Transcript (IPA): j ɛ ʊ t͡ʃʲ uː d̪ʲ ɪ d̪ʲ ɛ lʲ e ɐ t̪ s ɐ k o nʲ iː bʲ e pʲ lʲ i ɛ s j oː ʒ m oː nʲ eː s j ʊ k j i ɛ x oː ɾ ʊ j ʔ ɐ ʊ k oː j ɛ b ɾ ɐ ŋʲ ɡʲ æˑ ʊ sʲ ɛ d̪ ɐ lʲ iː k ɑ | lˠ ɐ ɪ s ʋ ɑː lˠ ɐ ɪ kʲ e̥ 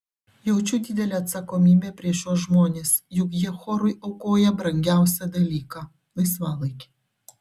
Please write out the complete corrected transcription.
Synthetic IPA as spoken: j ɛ ʊ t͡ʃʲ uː d̪ʲ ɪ d̪ʲ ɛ lʲ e ɐ t̪ s ɐ k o mʲ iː bʲ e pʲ ɾʲ i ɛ ʃ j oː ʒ m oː nʲ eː s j ʊ k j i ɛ x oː ɾ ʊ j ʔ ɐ ʊ k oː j ɛ b ɾ ɐ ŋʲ ɡʲ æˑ ʊ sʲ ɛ d̪ ɐ lʲ iː k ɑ | lˠ ɐ ɪ s ʋ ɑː lˠ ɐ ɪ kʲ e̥